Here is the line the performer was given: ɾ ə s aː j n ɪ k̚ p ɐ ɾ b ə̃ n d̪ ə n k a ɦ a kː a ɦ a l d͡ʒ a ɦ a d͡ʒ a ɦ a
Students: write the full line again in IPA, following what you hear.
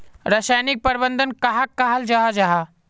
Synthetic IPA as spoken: ɾ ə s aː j n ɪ k̚ p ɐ ɾ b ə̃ n d̪ ə n k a ɦ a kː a ɦ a l d͡ʒ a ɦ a d͡ʒ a ɦ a